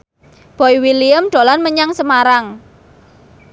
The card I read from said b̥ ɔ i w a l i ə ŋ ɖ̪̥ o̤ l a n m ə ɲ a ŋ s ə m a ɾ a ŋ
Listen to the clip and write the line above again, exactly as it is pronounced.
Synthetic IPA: b̥ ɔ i w i l i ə m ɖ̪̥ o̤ l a n m ə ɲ a ŋ s ə m a ɾ a ŋ

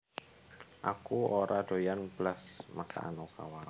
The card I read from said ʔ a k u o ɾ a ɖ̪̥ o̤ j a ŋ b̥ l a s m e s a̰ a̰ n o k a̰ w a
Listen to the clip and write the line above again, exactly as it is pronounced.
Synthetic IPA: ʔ a k u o ɾ a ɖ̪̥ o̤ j a n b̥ l a s m a s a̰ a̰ n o k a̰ w a

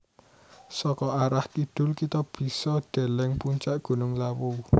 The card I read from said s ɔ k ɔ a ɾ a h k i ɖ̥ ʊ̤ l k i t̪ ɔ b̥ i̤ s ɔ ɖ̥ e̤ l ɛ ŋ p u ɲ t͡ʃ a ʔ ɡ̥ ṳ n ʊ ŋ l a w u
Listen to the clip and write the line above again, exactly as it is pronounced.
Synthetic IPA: s ɔ k ɔ a ɾ a h k i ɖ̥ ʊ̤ l k i t̪ ɔ b̥ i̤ s ɔ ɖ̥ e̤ l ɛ ŋ p u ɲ t͡ʃ a ʔ ɡ̥ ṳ n ʊ ŋ l a w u

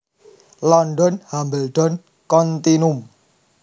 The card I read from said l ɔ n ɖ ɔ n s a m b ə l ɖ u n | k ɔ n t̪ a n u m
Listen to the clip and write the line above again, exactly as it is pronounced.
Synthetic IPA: l ɔ n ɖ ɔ n h a m b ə l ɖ ɔ n | k ɔ n t̪ i n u m

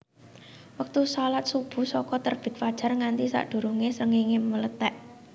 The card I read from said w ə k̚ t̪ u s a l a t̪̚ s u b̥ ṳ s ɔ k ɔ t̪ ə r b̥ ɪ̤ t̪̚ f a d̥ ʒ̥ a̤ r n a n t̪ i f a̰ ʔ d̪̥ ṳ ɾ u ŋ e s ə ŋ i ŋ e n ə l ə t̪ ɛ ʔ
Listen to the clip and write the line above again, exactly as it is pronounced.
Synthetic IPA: w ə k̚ t̪ u s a l a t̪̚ s u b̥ ṳ s ɔ k ɔ t̪ ə r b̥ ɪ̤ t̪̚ f a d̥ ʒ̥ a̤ r ŋ a n t̪ i s a̰ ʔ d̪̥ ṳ ɾ u ŋ e s ə ŋ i ŋ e m ə l ə t̪ ɛ ʔ

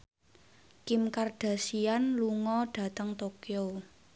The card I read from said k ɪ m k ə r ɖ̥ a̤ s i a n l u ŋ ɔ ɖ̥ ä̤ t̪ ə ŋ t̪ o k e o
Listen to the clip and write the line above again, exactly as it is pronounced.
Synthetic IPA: k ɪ m k a r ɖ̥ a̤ s i a n l u ŋ ɔ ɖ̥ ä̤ t̪ ə ŋ t̪ o k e o

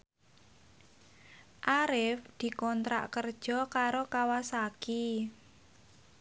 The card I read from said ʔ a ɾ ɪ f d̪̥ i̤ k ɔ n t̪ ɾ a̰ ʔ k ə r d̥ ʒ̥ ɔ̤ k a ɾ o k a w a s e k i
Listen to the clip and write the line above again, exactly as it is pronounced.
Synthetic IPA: ʔ a ɾ ɪ f d̪̥ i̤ k ɔ n t̪ ɾ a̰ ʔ k ə r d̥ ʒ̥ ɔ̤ k a ɾ o k a w a s a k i

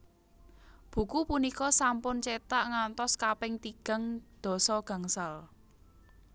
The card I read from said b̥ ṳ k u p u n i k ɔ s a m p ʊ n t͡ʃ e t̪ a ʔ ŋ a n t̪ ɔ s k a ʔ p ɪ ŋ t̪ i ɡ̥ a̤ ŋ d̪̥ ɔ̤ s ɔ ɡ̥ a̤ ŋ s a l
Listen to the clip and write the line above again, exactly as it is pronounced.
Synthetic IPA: b̥ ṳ k u p u n i k ɔ s a m p ʊ n t͡ʃ e t̪ a ʔ ŋ a n t̪ ɔ s k a p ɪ ŋ t̪ i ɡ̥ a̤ ŋ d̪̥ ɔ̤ s ɔ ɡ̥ a̤ ŋ s a l

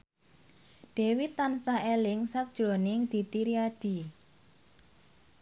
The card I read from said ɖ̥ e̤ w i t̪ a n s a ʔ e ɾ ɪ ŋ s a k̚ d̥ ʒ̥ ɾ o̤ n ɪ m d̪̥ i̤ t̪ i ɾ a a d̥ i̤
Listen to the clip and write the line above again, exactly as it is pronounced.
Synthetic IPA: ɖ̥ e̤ w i t̪ a n s a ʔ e l ɪ ŋ s a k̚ d̥ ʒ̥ ɾ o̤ n ɪ ŋ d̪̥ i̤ t̪ i ɾ i a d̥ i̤

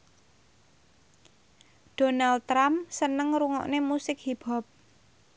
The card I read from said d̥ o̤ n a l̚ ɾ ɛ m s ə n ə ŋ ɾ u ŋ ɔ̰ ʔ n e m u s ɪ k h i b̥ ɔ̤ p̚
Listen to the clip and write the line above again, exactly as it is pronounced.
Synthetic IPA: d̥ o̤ n a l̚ ɾ a m s ə n ə ŋ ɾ u ŋ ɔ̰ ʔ n e m u s ɪ k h i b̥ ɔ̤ p̚

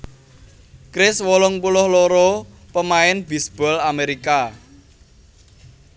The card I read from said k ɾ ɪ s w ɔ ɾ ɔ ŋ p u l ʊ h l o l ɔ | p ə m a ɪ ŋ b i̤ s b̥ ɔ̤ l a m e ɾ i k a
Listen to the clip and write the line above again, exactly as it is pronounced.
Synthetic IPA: k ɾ ɪ s w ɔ l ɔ ŋ p u l ʊ h l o ɾ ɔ | p ə m a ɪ n b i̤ s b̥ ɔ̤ l a m e ɾ i k a

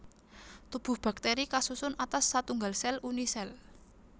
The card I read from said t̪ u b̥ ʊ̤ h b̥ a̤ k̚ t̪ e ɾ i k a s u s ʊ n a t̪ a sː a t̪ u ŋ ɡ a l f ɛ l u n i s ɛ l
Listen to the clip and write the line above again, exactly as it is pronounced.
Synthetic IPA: t̪ u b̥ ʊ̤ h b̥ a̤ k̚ t̪ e ɾ i k a s u s ʊ n a t̪ a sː a t̪ u ŋ ɡ a l s ɛ l u n i s ɛ l

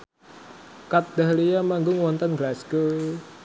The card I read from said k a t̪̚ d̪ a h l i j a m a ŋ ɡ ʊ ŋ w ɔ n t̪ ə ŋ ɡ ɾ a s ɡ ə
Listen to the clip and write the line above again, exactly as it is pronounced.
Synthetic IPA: k a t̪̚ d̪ a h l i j a m a ŋ ɡ ʊ ŋ w ɔ n t̪ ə n ɡ l a s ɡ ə

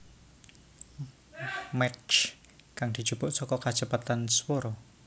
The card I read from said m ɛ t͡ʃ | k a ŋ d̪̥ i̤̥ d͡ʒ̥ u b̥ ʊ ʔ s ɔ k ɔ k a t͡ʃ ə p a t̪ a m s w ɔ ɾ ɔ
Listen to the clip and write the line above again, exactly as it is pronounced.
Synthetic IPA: m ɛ t͡ʃ | k a ŋ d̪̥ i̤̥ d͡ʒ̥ u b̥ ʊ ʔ s ɔ k ɔ k a t͡ʃ ə p a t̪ a n s w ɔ ɾ ɔ

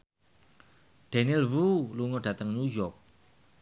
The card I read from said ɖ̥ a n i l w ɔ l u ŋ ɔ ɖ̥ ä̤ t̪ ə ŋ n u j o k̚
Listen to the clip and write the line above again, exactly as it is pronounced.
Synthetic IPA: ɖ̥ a n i l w u l u ŋ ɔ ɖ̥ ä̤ t̪ ə ŋ n u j ɔ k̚

